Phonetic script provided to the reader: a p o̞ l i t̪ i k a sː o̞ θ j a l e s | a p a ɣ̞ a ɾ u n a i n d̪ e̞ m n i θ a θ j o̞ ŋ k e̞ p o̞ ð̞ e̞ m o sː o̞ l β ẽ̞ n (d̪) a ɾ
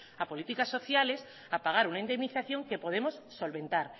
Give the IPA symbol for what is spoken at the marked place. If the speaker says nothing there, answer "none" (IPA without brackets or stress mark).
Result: t̪